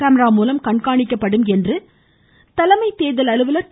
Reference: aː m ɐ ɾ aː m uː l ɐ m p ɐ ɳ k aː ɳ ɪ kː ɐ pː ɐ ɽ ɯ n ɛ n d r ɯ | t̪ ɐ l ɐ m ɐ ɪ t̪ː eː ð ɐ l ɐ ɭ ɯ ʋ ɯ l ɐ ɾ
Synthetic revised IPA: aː m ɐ ɾ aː m uː l ɐ m k ɐ ɳ k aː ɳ ɪ kː ɐ pː ɐ ɽ ɯ m ɛ n d r ɯ | t̪ ɐ l ɐ m ɐ ɪ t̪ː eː ð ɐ l ɐ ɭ ɯ ʋ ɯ l ɐ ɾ